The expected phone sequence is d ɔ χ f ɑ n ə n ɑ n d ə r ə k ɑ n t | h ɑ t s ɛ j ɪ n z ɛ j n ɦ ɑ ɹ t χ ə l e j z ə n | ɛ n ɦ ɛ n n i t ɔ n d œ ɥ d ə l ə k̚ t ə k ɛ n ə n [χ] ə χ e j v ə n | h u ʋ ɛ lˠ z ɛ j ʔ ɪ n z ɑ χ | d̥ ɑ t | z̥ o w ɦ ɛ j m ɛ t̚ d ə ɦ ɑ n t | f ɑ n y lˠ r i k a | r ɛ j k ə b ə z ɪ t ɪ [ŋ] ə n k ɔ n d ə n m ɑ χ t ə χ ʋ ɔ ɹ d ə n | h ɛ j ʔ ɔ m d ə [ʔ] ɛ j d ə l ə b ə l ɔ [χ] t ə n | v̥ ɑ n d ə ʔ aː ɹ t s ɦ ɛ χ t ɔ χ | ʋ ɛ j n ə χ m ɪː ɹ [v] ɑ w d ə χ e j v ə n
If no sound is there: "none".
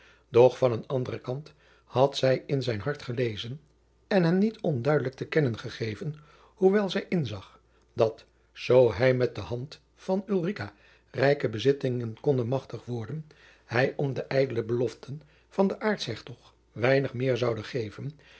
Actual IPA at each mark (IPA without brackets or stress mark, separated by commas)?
χ, ŋ, ʔ, f, z